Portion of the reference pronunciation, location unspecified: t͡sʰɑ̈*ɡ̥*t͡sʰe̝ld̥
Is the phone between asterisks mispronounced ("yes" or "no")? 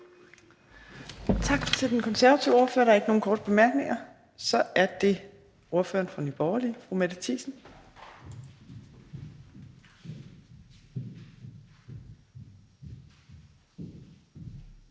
no